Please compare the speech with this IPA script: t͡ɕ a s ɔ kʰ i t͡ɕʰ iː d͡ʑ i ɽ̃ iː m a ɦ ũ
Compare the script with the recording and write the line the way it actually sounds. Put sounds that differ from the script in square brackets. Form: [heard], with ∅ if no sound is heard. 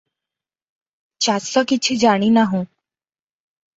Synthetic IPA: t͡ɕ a s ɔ [k] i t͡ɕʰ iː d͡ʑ [a] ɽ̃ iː [n] a ɦ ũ